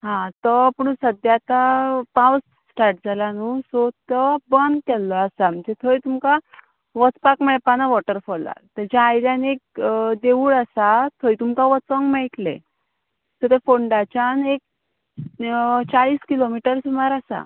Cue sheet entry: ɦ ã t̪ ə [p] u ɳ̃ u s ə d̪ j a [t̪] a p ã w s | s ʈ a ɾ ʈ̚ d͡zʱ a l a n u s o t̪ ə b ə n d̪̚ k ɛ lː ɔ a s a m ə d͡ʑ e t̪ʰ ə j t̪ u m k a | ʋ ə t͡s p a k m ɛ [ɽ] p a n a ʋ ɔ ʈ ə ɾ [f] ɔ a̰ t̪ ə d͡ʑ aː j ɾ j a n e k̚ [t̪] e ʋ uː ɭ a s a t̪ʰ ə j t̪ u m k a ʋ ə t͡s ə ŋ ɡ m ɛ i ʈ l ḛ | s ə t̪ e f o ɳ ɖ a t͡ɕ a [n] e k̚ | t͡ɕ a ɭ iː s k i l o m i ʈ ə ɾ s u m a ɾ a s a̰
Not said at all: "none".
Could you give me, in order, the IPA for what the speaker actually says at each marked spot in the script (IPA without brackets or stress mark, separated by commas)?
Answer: p, t̪, ɭ, f, d̪, n